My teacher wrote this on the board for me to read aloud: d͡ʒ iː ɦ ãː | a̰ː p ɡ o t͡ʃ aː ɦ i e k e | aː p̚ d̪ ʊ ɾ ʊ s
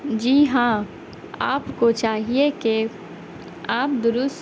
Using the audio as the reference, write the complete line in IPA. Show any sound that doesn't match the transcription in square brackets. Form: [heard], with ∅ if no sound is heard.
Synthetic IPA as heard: d͡ʒ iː ɦ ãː | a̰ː p [k] o t͡ʃ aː ɦ i e k e | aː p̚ d̪ ʊ ɾ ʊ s